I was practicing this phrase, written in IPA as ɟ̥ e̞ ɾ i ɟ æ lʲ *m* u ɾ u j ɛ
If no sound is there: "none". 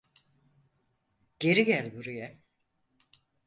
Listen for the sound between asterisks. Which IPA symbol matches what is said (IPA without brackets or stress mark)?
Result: b